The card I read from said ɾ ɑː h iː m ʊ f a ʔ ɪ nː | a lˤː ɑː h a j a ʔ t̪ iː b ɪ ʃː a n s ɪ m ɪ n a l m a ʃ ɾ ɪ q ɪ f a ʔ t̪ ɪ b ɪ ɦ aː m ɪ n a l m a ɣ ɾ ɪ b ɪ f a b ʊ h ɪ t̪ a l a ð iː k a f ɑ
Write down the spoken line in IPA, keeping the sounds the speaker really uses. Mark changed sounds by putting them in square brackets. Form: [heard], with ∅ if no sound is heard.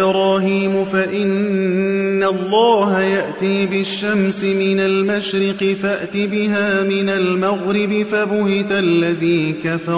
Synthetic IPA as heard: ɾ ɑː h iː m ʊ f a ʔ ɪ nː | a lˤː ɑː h a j a ʔ t̪ iː b ɪ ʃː a [m] s ɪ m ɪ n a l m a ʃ ɾ ɪ q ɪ f a ʔ t̪ ɪ b ɪ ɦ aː m ɪ n a l m a ɣ ɾ ɪ b ɪ f a b ʊ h ɪ t̪ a [lː] a ð iː k a f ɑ

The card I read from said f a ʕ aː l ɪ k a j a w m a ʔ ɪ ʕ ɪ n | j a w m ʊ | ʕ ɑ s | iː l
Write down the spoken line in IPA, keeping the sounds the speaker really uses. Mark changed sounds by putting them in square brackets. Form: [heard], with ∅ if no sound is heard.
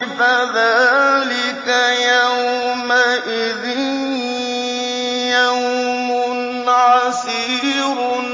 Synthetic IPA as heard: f a [ð] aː l ɪ k a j a w m a ʔ ɪ [ð] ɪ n | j a w m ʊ | ʕ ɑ s | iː [ɾ]

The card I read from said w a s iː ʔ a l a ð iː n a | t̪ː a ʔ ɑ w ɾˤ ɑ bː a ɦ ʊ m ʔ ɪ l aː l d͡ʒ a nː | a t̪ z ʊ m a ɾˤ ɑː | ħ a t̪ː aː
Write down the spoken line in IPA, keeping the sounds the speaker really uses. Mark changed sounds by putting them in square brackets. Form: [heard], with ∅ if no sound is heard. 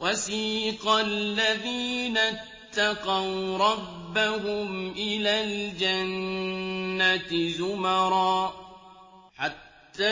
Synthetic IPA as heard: w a s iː [q] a [lː] a ð iː n a | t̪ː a [q] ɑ w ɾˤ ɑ bː a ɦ ʊ m ʔ ɪ l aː l d͡ʒ a nː | a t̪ z ʊ m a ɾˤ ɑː | ħ a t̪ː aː

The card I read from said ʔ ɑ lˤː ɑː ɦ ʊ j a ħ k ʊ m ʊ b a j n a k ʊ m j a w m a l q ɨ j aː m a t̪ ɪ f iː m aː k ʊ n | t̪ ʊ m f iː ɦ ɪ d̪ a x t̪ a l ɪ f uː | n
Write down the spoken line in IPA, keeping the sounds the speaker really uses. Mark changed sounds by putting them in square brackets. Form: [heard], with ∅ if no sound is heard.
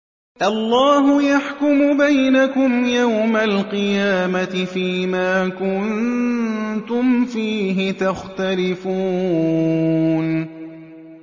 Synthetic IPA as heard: ʔ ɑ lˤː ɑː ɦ ʊ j a ħ k ʊ m ʊ b a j n a k ʊ m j a w m a l q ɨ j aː m a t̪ ɪ f iː m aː k ʊ n | t̪ ʊ m f iː ɦ ɪ [t̪] a x t̪ a l ɪ f uː | n

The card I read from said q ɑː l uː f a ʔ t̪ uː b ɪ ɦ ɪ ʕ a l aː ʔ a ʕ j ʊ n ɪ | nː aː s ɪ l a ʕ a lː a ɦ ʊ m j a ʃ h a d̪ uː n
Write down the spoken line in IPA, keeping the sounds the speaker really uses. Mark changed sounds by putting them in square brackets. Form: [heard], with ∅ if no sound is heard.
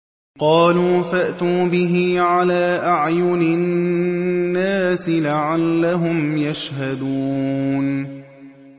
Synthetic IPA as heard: q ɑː l uː f a ʔ t̪ uː b ɪ ɦ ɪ ʕ a l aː ʔ a ʕ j ʊ n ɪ | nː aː s ɪ l a ʕ a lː a ɦ ʊ m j a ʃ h a d̪ uː n

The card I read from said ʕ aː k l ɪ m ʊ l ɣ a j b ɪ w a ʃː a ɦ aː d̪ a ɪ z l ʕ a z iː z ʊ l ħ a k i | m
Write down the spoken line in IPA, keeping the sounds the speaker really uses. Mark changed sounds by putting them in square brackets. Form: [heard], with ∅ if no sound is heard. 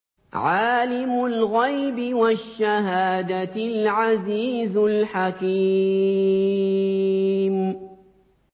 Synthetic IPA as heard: ʕ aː [∅] l ɪ m ʊ l ɣ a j b ɪ w a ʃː a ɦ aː d̪ a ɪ [∅] l ʕ a z iː z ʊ l ħ a k i | m

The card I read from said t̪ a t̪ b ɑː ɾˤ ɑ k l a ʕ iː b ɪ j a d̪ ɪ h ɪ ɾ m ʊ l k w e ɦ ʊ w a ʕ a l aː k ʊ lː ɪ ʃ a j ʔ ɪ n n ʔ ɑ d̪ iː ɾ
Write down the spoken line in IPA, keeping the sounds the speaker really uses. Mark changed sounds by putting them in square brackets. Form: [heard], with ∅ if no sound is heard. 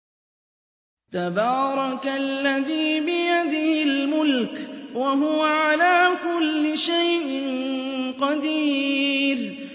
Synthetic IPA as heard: t̪ a [∅] b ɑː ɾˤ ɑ k [lː] a [ð] iː b ɪ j a d̪ ɪ h ɪ [l] m ʊ l k w [a] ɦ ʊ w a ʕ a l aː k ʊ lː ɪ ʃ a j ʔ ɪ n n [q] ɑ d̪ iː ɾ

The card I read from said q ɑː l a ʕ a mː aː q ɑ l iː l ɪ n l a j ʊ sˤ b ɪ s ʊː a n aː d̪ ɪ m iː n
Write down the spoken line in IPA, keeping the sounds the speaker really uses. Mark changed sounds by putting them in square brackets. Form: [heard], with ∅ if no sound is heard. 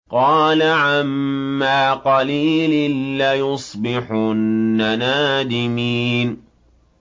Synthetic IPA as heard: q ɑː l a ʕ a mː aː q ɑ l iː l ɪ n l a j ʊ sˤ b ɪ [ħ] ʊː a n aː d̪ ɪ m iː n

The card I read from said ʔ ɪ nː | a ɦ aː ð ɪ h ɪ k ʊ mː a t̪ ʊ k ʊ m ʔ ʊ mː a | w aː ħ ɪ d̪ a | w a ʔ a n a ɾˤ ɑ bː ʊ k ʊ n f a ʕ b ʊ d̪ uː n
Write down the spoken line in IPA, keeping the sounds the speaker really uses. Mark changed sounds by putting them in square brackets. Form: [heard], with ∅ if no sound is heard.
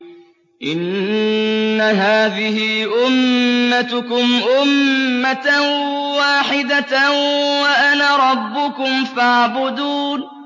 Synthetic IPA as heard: ʔ ɪ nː | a ɦ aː ð ɪ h ɪ [ʔ] ʊ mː a t̪ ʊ k ʊ m ʔ ʊ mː a | w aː ħ ɪ d̪ a | w a ʔ a n a ɾˤ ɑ bː ʊ k ʊ [m] f a ʕ b ʊ d̪ uː n

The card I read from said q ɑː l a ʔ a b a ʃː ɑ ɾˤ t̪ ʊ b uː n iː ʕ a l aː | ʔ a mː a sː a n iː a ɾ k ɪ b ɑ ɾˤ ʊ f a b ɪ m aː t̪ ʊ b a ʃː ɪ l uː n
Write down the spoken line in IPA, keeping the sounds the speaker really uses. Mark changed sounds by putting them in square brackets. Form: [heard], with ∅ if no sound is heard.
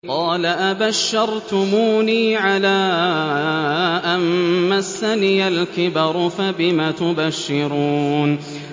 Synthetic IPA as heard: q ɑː l a ʔ a b a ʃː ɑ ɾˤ t̪ ʊ [m] uː n iː ʕ a l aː | ʔ a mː a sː a n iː a [l] k ɪ b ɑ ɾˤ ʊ f a b ɪ m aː t̪ ʊ b a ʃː ɪ [ɾ] uː n

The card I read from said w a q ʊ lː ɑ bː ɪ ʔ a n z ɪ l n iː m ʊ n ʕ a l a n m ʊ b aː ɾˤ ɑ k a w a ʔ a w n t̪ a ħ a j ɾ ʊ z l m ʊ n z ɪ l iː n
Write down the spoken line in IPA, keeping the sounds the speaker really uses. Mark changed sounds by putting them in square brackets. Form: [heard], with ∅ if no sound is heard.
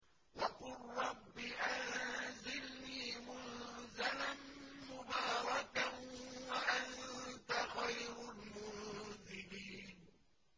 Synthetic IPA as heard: w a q ʊ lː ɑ bː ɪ ʔ a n z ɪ l n iː m ʊ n [z] a l a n m ʊ b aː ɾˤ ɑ k a w a ʔ a [∅] n t̪ a [x] a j ɾ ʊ [∅] l m ʊ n z ɪ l iː n

